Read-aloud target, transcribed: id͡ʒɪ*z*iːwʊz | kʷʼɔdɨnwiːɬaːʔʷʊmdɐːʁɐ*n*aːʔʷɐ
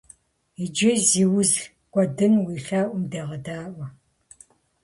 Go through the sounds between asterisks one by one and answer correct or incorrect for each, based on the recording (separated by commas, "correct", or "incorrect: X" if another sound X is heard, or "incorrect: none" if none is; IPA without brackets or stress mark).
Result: correct, incorrect: d